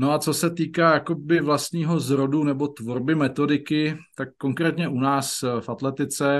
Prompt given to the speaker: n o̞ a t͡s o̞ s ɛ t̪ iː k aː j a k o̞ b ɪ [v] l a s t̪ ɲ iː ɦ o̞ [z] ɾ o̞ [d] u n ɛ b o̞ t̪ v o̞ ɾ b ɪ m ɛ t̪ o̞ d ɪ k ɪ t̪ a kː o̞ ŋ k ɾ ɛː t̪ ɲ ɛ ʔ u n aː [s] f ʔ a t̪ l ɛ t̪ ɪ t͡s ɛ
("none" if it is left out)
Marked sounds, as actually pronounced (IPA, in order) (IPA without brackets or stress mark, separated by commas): v, z, d, s